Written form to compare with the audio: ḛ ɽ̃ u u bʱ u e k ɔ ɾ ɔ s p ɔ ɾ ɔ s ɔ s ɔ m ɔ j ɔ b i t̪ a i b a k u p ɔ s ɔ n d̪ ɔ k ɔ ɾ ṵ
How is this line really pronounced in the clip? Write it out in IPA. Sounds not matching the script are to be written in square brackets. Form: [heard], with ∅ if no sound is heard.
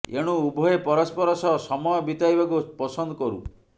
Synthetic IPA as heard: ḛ ɽ̃ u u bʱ [ɔ] e [p] ɔ ɾ ɔ s p ɔ ɾ ɔ s ɔ s ɔ m ɔ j ɔ b i t̪ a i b a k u p ɔ s ɔ n d̪ ɔ k ɔ ɾ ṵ